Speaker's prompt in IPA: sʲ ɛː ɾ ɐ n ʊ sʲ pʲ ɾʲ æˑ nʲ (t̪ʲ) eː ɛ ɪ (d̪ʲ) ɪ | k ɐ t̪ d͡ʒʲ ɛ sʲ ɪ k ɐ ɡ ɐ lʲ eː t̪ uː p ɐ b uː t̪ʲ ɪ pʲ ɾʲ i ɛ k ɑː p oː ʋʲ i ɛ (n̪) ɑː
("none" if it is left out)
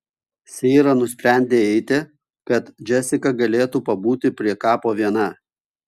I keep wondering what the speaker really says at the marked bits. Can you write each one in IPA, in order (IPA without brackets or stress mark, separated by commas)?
d̪ʲ, t̪ʲ, n̪